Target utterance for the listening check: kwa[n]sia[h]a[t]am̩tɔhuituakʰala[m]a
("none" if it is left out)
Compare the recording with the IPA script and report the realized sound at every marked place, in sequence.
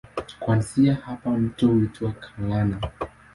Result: n, h, p, n

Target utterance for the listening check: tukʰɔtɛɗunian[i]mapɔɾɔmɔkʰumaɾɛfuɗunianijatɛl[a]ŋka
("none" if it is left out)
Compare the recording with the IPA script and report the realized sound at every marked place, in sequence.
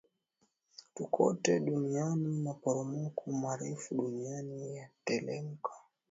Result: i, ɛ

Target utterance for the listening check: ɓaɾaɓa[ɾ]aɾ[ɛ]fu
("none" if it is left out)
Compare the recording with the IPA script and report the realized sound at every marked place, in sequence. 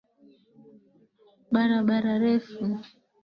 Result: ɾ, ɛ

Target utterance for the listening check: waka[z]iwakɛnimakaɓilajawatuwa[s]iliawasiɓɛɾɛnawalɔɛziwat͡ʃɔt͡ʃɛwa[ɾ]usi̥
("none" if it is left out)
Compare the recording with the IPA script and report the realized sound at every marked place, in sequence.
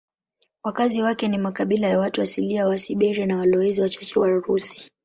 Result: z, s, ɾ

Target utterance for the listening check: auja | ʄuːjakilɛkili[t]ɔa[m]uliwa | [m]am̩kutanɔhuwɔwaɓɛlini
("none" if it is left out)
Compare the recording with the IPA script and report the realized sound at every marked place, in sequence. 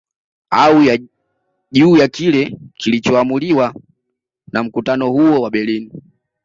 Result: t͡ʃ, m, n

